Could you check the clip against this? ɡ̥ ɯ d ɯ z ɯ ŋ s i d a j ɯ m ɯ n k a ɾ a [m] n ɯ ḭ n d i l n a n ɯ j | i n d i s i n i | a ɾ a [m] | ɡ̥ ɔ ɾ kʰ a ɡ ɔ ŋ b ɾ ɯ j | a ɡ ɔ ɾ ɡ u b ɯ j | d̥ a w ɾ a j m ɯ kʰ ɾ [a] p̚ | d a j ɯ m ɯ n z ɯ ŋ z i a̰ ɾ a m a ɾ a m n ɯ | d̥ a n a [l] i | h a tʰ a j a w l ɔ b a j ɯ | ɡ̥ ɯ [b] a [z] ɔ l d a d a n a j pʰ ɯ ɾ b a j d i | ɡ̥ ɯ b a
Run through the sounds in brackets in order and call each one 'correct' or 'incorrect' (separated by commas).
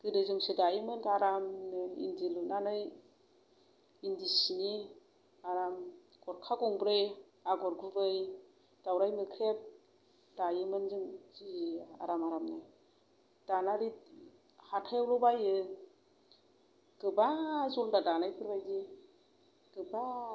correct, correct, incorrect, incorrect, correct, correct